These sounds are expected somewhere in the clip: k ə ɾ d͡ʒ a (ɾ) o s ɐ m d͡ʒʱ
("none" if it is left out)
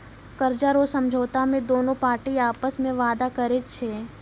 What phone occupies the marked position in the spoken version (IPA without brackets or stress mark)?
ɾ